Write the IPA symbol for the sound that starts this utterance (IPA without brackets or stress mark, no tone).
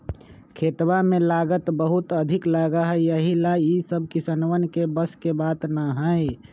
kʰ